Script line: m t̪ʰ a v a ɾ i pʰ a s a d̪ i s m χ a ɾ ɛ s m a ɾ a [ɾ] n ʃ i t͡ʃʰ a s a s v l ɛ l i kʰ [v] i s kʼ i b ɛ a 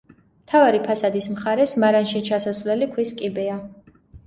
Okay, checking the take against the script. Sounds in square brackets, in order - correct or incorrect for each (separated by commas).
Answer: incorrect, incorrect